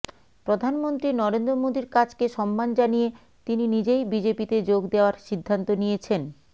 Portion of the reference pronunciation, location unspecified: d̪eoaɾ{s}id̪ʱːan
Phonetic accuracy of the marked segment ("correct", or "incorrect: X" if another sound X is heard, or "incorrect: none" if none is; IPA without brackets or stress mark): incorrect: ʃ